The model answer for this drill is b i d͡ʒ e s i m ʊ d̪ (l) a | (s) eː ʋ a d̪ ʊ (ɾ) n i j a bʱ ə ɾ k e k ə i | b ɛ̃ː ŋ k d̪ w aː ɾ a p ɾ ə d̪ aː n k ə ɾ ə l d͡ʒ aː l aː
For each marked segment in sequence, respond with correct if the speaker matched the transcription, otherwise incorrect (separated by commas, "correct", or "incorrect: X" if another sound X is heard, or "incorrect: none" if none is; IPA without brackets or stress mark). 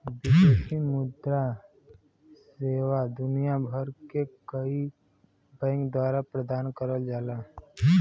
incorrect: ɾ, correct, incorrect: none